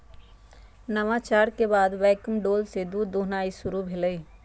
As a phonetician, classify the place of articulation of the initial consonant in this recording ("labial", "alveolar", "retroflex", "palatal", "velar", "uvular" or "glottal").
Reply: alveolar